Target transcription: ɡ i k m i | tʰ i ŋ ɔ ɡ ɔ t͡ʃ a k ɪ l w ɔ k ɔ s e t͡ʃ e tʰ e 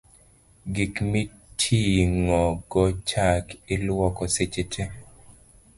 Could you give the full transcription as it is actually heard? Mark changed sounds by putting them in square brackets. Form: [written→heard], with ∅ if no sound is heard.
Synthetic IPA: ɡ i k m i | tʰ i ŋ ɔ ɡ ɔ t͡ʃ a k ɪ l w ɔ k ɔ s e t͡ʃ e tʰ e